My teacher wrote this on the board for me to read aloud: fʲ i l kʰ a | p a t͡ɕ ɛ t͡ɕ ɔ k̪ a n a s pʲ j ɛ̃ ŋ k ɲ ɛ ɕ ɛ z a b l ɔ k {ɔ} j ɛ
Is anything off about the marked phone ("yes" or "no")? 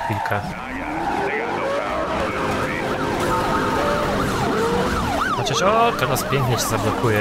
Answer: yes